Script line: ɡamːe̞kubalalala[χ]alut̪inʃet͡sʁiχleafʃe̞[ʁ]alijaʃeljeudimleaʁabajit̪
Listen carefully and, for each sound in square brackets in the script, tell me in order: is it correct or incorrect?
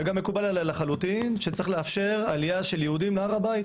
correct, correct

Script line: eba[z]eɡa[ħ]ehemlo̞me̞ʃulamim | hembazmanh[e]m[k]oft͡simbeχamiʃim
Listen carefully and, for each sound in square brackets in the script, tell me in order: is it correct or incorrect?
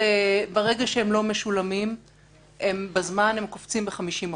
incorrect: ʁ, incorrect: ʃ, correct, correct

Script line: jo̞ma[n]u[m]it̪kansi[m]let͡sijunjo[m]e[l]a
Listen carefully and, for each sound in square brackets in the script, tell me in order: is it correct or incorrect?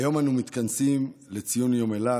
correct, correct, correct, correct, correct

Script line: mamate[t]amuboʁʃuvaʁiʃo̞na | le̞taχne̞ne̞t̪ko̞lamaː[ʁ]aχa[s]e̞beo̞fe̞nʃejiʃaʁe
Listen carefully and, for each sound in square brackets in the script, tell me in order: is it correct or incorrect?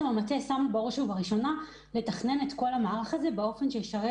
incorrect: s, correct, incorrect: z

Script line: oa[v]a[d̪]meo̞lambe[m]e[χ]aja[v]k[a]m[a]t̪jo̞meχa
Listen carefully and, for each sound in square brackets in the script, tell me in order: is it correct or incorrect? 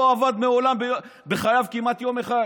correct, correct, incorrect: b, correct, correct, incorrect: i, correct

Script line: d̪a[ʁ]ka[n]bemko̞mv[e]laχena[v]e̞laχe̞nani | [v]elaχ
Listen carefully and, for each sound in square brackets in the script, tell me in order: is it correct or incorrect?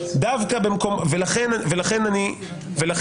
incorrect: v, incorrect: none, correct, correct, correct

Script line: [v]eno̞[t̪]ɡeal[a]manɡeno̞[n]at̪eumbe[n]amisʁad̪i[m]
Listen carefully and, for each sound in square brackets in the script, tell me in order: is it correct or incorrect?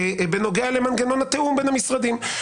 incorrect: b, incorrect: none, incorrect: e, correct, correct, correct

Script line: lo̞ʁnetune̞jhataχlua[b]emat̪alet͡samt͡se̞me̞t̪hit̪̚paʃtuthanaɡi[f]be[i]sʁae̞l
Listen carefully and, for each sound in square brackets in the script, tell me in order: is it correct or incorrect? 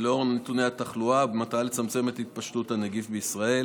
correct, correct, correct

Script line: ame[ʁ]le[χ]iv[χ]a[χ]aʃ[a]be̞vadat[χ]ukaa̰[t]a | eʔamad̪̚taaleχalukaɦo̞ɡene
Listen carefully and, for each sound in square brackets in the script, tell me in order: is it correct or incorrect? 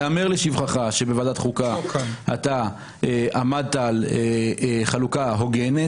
correct, incorrect: ʃ, correct, correct, incorrect: e, correct, correct

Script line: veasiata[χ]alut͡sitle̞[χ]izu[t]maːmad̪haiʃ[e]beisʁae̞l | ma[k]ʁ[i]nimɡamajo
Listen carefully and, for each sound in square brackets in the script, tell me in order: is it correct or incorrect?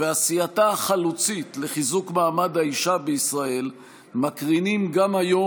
correct, correct, incorrect: k, incorrect: a, correct, correct

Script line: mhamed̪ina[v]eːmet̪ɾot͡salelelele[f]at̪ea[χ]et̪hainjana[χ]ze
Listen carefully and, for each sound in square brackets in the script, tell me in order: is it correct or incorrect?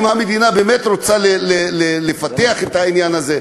incorrect: b, correct, correct, incorrect: none

